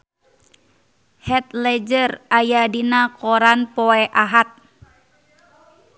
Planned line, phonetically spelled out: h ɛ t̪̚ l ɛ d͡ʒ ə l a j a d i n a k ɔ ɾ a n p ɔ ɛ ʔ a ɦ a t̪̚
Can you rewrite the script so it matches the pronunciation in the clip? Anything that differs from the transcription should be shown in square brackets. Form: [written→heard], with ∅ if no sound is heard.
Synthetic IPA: h ɛ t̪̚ l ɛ d͡ʒ ə [l→r] a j a d i n a k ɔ ɾ a n p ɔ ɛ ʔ a ɦ a t̪̚